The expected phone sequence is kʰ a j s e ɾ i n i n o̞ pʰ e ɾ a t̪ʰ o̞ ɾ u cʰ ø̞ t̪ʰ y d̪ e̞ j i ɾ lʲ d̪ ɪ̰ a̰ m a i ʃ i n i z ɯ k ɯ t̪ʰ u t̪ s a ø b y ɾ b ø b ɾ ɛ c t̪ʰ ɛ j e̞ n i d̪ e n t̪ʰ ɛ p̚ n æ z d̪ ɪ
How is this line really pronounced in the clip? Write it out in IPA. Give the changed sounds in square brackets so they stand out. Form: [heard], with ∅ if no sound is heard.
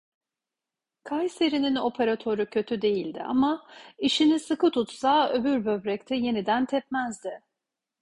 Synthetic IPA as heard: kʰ a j s e ɾ i n i n o̞ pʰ e ɾ a t̪ʰ o̞ ɾ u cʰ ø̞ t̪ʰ y d̪ e̞ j i [∅] lʲ d̪ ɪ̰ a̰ m a i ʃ i n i [s] ɯ k ɯ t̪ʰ u t̪ s a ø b y ɾ b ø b ɾ ɛ c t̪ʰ ɛ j e̞ n i d̪ [æ] n t̪ʰ ɛ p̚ [m] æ z d̪ ɪ

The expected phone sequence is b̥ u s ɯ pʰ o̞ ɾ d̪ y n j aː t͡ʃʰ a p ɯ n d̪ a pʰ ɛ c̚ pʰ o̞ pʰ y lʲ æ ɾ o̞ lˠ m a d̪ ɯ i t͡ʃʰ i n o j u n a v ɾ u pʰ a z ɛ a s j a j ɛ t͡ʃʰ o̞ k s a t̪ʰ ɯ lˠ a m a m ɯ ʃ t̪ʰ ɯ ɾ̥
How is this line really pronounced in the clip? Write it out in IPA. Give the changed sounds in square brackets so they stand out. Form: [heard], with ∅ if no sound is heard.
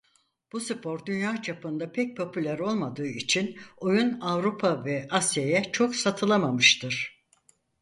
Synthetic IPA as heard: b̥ u s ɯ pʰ o̞ ɾ d̪ y n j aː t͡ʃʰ a p ɯ n d̪ a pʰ ɛ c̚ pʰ o̞ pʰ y lʲ æ ɾ o̞ lˠ m a d̪ [ɯː] i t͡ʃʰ i n o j u n a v ɾ u pʰ a [v] ɛ a s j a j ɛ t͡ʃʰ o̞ k s a t̪ʰ ɯ lˠ a m a m ɯ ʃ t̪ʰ ɯ ɾ̥

